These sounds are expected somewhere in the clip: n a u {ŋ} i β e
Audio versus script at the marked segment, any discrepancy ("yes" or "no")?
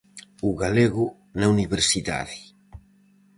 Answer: yes